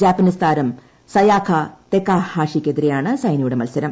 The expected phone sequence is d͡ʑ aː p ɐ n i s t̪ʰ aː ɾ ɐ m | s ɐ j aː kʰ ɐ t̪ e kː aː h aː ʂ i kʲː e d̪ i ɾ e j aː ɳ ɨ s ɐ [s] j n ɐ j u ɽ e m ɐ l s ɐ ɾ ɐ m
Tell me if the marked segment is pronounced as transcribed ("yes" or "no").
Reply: no